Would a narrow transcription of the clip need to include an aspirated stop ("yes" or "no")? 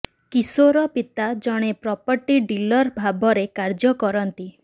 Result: no